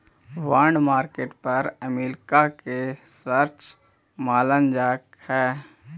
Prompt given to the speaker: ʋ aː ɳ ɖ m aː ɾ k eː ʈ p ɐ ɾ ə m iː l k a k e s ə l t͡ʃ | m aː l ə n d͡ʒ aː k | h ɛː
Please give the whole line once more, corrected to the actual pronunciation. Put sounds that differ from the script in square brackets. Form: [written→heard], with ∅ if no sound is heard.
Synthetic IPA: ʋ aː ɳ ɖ m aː ɾ k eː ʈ p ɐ ɾ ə m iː l k a k e s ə [l→ɾ] t͡ʃ | m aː l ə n d͡ʒ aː k | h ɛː